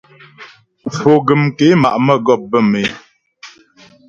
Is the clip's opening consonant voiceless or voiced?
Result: voiceless